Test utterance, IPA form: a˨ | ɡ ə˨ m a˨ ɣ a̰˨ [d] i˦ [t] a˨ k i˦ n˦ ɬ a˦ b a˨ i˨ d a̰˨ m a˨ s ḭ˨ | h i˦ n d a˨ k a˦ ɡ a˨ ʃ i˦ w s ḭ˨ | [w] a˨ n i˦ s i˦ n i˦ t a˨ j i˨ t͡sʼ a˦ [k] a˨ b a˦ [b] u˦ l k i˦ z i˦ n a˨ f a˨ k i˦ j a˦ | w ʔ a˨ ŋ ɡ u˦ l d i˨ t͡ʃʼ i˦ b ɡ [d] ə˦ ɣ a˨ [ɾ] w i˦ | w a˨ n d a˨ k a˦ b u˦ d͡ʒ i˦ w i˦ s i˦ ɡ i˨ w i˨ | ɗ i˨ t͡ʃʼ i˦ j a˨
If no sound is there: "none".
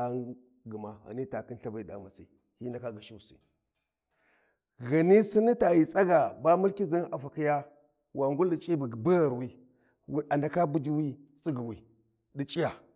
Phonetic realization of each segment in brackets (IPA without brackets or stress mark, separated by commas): n, t, ɣ, ɡ, m, b, ɾ